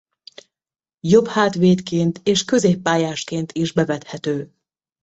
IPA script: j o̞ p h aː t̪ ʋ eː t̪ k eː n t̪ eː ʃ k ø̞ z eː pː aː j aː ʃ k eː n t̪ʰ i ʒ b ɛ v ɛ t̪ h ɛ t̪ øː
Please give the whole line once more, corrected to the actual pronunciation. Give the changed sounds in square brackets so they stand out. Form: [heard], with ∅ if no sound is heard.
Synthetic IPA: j o̞ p h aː t̪ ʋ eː t̪ k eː n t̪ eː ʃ k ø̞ z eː pː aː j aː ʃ k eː n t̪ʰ i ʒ b ɛ v ɛ t̪ h ɛ t̪ øː